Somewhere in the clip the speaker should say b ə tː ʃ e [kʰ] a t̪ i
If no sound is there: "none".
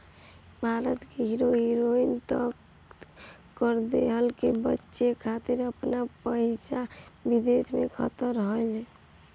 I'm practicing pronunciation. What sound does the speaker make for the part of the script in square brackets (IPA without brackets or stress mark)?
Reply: kʰ